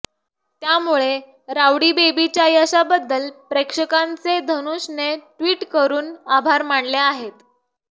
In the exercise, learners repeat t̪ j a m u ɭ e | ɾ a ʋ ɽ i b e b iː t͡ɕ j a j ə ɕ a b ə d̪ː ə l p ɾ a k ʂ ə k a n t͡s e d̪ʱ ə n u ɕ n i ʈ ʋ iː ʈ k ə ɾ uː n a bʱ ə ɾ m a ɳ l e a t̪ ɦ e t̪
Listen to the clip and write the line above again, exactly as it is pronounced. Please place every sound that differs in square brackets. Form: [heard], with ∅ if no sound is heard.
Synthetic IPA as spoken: t̪ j a m u ɭ e | ɾ a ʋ ɽ i b e b [i] t͡ɕ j a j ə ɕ a b ə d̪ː ə l p ɾ [e] k ʂ ə k a n t͡s e d̪ʱ ə n u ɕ n [e] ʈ ʋ iː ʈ k ə ɾ uː n a bʱ [a] ɾ m a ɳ l e a [∅] ɦ e t̪